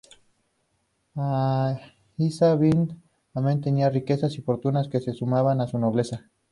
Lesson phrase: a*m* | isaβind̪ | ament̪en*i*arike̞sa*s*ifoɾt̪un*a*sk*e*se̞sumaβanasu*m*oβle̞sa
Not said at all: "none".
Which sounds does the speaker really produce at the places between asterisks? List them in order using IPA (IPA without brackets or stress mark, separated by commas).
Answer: none, i, s, a, e, n